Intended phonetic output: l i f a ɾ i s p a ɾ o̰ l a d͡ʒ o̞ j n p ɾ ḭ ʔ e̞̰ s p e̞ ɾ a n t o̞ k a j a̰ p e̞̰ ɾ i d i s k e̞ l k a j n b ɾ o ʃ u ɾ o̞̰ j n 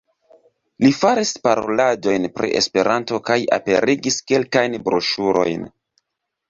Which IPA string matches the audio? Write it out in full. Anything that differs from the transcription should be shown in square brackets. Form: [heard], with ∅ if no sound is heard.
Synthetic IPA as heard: l i f a ɾ i s p a ɾ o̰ l a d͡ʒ o̞ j n p ɾ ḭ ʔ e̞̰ s p e̞ ɾ a n t o̞ k a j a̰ p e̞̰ ɾ i [ɡ] i s k e̞ l k a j n b ɾ o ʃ u ɾ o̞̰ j n